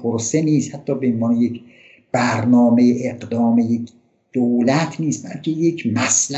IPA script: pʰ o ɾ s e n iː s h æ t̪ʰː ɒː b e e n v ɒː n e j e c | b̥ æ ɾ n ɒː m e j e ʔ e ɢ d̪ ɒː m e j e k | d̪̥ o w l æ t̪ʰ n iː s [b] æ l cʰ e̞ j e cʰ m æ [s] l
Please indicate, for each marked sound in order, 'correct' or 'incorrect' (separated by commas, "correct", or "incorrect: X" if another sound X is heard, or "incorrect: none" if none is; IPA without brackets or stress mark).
correct, correct